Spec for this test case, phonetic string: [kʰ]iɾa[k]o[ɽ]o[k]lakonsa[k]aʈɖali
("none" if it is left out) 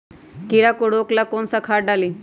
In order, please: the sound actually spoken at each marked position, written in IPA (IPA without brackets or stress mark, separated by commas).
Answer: k, k, ɽ, k, kʰ